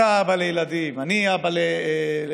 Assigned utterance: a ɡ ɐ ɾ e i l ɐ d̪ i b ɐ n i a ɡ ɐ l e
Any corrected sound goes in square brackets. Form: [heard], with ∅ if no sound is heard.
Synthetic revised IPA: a [b] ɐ [l] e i l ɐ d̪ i [m] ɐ n i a [b] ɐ l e